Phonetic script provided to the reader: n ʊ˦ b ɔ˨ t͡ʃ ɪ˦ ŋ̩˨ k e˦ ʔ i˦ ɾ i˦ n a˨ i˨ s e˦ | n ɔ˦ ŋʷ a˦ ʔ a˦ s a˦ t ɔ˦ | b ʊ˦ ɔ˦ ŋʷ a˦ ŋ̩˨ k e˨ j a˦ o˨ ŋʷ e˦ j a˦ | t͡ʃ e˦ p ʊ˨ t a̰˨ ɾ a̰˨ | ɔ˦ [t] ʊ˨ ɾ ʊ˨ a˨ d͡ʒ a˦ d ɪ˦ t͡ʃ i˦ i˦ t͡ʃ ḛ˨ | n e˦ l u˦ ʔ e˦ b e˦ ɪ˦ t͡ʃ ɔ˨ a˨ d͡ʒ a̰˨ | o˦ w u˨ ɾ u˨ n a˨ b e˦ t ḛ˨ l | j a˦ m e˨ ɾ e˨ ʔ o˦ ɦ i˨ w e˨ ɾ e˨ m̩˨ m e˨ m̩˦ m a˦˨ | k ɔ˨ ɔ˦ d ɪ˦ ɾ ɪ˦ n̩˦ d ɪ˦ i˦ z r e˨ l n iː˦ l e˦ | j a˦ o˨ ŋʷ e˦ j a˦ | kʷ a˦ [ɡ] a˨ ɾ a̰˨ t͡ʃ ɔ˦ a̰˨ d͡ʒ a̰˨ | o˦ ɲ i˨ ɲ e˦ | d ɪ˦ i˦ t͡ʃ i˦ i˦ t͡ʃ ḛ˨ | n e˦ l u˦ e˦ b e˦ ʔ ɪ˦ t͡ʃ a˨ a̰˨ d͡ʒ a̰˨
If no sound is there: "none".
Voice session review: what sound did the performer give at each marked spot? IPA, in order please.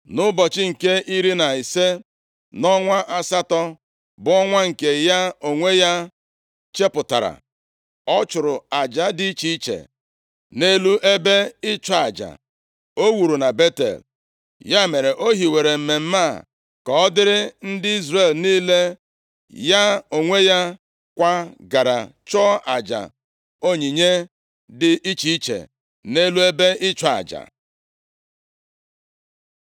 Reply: t͡ʃ, ɡ

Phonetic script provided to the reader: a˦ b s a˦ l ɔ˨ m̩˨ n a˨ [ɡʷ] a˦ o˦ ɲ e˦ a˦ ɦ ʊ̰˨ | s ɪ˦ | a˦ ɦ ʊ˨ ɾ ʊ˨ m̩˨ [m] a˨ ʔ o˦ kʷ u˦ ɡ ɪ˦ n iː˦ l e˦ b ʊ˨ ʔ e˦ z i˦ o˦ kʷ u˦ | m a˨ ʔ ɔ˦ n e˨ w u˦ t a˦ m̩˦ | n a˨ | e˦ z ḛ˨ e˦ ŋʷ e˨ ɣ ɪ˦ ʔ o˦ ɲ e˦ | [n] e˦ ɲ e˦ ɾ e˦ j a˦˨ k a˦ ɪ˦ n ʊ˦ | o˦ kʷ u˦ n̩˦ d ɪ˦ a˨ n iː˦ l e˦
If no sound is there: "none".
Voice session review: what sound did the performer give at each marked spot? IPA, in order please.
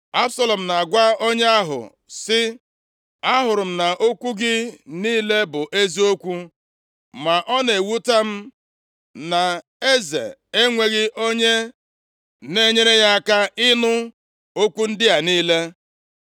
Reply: ɡʷ, n, n

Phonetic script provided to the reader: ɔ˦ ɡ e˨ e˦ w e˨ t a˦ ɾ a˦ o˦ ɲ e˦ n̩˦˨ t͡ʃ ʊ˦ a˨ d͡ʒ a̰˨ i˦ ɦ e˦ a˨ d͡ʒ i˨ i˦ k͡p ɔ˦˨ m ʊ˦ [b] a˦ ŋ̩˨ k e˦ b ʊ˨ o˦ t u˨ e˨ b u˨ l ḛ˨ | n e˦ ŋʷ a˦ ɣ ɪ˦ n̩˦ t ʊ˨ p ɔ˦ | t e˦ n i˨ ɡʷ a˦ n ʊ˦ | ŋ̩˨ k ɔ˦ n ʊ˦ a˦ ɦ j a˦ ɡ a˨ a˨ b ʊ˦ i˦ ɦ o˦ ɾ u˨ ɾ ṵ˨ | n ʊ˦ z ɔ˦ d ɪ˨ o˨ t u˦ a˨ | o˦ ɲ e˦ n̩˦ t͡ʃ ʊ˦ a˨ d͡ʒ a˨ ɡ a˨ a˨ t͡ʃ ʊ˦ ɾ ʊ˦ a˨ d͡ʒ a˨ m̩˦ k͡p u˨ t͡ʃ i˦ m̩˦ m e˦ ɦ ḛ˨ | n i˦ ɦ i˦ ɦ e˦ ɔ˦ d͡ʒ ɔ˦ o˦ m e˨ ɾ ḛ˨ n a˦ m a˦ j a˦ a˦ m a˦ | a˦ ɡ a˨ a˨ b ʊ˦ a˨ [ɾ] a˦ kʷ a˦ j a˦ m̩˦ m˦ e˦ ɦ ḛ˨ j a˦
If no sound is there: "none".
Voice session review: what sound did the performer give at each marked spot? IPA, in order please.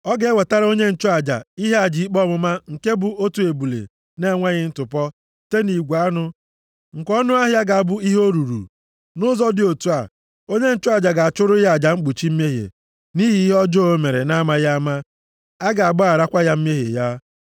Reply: m, ɾ

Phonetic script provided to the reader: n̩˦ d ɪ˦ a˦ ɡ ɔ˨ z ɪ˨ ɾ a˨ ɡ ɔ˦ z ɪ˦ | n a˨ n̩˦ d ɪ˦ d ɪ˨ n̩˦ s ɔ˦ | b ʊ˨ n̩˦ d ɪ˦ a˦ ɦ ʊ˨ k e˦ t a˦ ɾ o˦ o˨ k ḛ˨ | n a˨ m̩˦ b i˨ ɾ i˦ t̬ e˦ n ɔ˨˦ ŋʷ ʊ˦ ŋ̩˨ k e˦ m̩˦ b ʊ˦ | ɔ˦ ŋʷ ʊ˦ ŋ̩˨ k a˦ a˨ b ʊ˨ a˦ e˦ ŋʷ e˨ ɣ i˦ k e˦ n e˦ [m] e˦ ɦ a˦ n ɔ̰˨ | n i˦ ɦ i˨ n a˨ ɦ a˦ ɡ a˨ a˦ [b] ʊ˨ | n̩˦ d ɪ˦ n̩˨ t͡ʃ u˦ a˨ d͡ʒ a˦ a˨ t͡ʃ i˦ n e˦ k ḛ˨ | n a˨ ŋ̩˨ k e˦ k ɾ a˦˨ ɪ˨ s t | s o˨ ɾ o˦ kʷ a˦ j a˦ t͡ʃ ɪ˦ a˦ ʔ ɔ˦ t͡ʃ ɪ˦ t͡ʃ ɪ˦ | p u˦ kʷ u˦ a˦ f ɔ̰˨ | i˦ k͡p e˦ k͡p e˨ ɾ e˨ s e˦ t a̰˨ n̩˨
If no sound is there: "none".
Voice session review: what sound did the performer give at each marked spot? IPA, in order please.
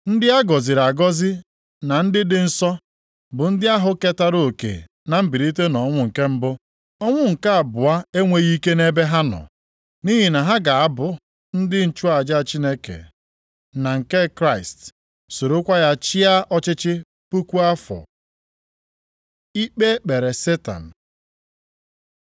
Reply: b, b

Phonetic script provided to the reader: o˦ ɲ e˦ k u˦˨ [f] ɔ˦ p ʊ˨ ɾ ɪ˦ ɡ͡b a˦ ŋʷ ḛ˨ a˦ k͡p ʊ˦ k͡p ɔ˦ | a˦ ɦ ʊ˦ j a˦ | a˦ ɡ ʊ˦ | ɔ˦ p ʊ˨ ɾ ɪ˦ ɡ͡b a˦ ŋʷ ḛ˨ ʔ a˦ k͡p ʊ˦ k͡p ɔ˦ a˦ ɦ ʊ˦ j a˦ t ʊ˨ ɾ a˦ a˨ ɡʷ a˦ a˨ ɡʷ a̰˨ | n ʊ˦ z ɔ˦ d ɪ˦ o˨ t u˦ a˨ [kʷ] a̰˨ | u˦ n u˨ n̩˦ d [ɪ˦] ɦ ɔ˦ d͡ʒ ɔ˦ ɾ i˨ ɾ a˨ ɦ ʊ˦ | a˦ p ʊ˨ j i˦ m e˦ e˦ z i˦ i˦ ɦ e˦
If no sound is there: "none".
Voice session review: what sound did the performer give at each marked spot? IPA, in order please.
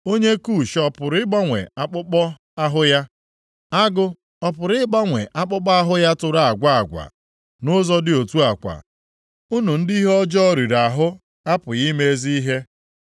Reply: ʃ, kʷ, i˦

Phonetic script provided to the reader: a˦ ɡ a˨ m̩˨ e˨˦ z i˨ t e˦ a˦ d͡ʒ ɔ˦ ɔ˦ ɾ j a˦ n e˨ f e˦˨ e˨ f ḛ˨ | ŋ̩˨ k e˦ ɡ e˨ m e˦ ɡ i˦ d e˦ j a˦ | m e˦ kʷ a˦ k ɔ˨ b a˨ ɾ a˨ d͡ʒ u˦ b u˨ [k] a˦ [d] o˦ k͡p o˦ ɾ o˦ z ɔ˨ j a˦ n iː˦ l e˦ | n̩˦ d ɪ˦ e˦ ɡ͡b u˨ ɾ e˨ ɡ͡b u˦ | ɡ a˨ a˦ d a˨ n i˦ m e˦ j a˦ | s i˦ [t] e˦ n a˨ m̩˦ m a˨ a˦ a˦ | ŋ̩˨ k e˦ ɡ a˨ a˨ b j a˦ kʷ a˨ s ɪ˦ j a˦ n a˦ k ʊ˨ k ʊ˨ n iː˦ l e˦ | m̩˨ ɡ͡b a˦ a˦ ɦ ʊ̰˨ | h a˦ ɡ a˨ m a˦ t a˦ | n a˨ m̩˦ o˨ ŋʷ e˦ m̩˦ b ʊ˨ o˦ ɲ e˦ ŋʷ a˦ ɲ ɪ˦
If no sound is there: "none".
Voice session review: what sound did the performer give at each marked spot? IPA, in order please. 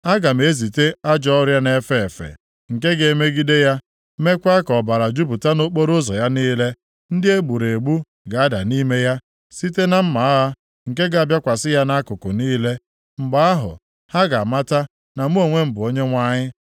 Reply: t, n, t

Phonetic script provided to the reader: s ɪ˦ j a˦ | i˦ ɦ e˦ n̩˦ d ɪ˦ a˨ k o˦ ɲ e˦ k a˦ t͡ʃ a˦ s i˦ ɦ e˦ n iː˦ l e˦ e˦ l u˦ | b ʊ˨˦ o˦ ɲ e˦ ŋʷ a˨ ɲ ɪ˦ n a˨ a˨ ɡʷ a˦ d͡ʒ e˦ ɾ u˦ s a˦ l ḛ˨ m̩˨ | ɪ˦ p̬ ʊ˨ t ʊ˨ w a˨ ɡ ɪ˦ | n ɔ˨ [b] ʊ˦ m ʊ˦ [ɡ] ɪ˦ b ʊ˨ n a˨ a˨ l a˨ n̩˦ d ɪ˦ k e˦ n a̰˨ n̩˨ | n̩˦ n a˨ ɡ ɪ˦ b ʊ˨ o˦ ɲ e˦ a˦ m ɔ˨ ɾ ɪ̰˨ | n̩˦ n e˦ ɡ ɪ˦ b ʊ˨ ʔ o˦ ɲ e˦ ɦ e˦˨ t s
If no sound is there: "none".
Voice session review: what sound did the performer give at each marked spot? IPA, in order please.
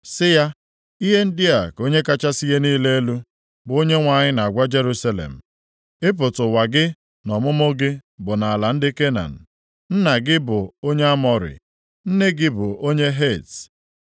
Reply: m, ɡ

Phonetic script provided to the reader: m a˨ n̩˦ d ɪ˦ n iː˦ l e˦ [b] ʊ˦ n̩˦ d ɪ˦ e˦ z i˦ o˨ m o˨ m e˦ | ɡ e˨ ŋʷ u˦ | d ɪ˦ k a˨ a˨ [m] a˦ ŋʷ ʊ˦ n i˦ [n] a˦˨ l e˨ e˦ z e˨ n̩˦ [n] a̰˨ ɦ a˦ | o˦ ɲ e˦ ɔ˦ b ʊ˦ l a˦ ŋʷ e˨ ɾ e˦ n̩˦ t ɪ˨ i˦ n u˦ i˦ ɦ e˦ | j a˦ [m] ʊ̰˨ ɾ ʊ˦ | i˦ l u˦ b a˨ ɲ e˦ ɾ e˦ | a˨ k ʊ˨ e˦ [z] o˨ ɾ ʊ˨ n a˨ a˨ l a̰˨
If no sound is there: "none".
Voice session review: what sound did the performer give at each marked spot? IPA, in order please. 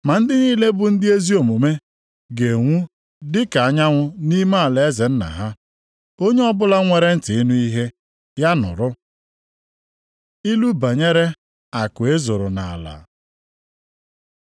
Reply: b, ɲ, m, n, n, z

